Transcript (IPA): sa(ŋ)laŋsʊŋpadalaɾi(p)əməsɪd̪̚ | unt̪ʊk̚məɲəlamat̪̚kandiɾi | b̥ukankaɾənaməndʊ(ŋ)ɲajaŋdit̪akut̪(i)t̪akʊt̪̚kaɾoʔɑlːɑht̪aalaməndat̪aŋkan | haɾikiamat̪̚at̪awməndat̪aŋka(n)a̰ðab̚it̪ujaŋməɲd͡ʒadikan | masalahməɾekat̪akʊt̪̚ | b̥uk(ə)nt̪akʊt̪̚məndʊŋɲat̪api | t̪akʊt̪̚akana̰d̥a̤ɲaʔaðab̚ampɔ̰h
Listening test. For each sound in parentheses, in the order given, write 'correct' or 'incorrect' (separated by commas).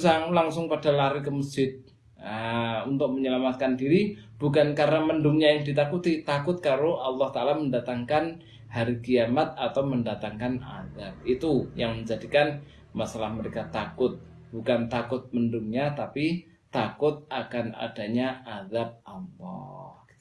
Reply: correct, incorrect, correct, correct, correct, incorrect